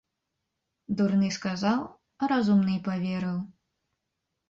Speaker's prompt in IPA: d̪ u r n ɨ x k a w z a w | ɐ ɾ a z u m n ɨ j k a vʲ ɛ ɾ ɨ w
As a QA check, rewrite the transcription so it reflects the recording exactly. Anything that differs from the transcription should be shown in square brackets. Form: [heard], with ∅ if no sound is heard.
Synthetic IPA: d̪ u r n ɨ [s] k a [∅] z a w | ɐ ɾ a z u m n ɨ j [p] a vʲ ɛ ɾ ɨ w